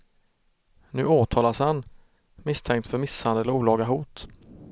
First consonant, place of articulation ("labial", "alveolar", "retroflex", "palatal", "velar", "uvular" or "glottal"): alveolar